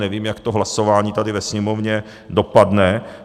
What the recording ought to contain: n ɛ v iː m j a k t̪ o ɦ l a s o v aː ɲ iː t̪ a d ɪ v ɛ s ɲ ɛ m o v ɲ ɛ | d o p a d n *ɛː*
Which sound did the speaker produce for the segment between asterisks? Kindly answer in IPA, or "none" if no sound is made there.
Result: ɛ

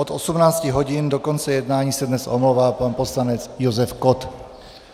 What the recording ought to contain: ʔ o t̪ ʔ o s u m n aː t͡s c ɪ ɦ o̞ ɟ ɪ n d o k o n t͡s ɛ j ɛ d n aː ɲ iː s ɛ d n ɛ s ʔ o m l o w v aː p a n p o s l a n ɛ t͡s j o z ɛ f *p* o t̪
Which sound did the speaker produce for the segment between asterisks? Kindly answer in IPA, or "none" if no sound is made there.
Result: k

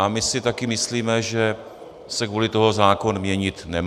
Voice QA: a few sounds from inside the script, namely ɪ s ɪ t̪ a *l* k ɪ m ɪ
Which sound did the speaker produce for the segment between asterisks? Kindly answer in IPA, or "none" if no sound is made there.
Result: none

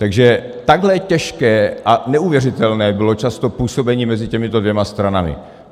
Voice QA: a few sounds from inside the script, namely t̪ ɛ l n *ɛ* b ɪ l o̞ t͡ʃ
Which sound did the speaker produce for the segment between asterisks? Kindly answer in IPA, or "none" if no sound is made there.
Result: ɛː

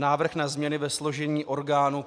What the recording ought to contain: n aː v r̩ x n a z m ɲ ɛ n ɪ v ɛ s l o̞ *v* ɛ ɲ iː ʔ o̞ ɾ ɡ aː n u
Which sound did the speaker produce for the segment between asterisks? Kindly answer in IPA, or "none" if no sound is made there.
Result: ʒ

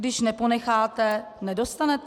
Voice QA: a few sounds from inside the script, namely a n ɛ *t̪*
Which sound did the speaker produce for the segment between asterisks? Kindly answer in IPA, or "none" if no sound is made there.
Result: t̪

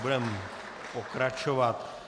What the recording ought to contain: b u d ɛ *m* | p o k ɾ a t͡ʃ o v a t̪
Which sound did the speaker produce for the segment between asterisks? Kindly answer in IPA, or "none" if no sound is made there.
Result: m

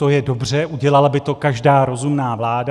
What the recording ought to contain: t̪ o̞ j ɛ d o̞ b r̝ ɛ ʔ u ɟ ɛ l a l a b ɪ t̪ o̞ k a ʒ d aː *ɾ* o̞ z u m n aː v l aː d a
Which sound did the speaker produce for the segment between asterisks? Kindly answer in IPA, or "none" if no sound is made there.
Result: ɾ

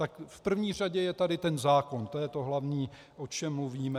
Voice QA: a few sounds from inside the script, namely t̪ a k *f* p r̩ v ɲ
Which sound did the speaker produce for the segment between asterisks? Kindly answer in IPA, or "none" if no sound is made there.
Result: f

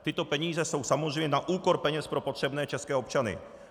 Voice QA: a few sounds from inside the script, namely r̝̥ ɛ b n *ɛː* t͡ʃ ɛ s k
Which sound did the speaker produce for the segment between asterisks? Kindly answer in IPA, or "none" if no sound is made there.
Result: ɛː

